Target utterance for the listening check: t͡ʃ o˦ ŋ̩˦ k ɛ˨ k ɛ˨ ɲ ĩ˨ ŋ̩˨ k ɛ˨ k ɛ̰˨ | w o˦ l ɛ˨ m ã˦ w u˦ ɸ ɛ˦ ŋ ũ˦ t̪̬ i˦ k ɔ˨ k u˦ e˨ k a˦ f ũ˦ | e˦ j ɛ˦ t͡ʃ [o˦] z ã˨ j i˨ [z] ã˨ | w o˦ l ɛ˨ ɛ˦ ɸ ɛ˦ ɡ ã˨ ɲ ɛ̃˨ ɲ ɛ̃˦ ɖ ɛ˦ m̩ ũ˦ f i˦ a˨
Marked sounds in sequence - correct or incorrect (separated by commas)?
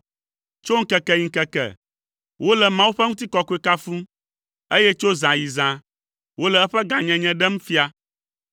correct, correct